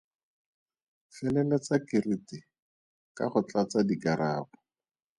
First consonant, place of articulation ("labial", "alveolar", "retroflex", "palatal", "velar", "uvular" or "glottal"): labial